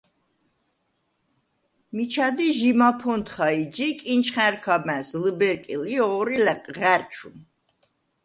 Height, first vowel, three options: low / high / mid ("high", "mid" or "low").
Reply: high